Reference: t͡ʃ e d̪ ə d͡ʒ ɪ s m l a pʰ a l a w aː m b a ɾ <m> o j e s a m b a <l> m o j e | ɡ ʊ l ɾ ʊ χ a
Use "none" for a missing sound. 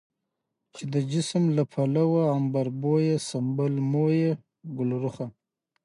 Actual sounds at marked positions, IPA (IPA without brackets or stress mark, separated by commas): b, l